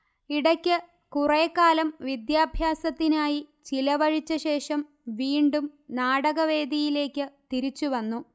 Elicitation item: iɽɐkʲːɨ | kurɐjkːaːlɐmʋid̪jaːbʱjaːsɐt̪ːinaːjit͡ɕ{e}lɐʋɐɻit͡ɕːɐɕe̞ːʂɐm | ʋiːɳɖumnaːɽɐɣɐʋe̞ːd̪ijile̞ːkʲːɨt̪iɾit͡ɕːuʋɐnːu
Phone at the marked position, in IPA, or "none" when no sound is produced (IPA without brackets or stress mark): i